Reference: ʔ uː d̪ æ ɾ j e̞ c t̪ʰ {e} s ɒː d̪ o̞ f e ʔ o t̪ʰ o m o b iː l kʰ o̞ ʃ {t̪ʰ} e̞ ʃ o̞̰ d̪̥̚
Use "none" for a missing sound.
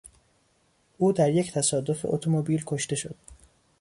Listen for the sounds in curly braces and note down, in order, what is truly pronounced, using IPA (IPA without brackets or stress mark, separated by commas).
æ, t̪